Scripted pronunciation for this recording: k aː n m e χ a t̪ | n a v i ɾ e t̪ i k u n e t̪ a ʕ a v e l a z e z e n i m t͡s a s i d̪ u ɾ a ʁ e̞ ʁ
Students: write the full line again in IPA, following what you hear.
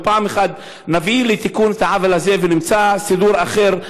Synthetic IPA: p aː m e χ a d̪ | n a v i l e t̪ i k u n e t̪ a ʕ a v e l a z e v e n i m t͡s a s i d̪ u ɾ a χ e̞ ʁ